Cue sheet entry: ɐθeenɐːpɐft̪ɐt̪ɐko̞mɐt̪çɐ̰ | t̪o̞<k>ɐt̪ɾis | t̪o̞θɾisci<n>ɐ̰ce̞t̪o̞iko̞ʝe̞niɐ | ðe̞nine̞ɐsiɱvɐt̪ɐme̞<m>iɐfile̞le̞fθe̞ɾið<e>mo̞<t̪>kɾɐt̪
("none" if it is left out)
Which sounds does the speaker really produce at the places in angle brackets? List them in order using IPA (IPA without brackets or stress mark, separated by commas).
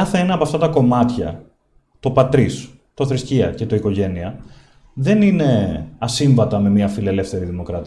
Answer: p, none, m, i, none